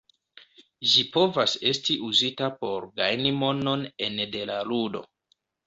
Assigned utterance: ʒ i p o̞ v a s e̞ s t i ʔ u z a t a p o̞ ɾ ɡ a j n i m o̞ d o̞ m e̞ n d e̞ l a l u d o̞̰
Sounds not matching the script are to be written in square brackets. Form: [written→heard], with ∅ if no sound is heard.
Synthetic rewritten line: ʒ i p o̞ v a s e̞ s t i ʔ u z [a→i] t a p o̞ ɾ ɡ a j n i m o̞ [d→n] o̞ [m→n] e̞ n d e̞ l a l u d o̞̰

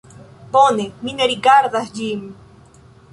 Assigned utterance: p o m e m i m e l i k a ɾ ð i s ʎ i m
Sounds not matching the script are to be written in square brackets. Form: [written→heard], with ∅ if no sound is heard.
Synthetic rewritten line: p o [m→n] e m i [m→n] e [l→ɾ] i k a ɾ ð [i→a] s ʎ i m

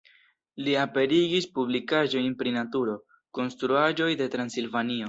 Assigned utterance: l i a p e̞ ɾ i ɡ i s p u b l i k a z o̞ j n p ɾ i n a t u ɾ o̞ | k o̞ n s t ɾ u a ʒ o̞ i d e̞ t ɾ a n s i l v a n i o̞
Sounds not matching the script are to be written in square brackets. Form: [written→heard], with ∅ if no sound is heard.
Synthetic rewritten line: l i a p e̞ ɾ i ɡ i s p u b l i k a [z→ʒ] o̞ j n p ɾ i n a t u ɾ o̞ | k o̞ n s t ɾ u a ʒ o̞ [i→j] d e̞ t ɾ a n s i l v a n i o̞

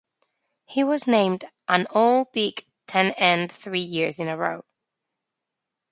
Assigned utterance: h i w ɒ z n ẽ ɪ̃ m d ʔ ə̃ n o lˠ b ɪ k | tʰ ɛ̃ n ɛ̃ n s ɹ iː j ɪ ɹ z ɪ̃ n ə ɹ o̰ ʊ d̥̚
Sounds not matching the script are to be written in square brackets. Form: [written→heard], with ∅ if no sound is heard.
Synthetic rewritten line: h i w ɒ z n ẽ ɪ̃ m d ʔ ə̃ n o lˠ b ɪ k | tʰ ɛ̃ n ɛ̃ n [s→θ] ɹ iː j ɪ ɹ z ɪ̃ n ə ɹ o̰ ʊ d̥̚

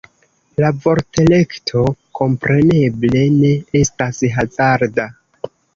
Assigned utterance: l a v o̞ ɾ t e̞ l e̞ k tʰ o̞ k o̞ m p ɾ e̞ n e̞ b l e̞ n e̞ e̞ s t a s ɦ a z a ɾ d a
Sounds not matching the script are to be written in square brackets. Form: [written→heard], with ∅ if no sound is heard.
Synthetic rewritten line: l a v o̞ ɾ t e̞ l e̞ k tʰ o̞ k o̞ m p ɾ e̞ n e̞ b l e̞ n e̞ e̞ s t a s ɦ a z a ɾ d a

